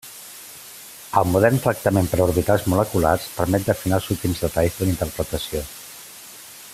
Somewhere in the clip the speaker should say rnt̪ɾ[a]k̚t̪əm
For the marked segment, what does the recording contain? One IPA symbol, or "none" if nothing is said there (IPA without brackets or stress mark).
ə